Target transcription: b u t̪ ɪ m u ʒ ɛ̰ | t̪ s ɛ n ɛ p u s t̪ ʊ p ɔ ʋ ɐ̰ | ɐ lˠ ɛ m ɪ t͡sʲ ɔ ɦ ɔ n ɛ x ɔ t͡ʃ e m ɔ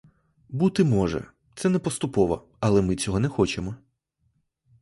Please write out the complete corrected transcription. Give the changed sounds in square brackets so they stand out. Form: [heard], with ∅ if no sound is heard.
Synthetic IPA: b u t̪ ɪ m [ɔ] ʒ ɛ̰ | t̪ s ɛ n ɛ p [ɔ] s t̪ ʊ p ɔ ʋ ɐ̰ | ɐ lˠ ɛ m ɪ t͡sʲ ɔ ɦ ɔ n ɛ x ɔ t͡ʃ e m ɔ